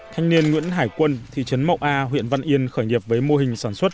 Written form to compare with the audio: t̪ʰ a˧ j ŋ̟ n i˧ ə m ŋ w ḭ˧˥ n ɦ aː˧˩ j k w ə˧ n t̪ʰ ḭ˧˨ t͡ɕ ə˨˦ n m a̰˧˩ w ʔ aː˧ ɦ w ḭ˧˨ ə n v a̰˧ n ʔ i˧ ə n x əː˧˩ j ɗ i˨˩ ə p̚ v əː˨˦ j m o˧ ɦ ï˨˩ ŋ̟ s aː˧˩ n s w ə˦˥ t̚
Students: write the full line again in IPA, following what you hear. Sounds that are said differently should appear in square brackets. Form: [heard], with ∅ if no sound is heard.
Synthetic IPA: t̪ʰ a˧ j ŋ̟ n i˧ ə [n] ŋ w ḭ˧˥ n ɦ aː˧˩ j k w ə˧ n t̪ʰ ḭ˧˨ t͡ɕ ə˨˦ n m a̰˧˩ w ʔ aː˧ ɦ w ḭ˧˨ ə n v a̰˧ n ʔ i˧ ə n x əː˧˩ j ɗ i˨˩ ə p̚ v əː˨˦ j m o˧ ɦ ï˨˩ ŋ̟ s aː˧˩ n s w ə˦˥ t̚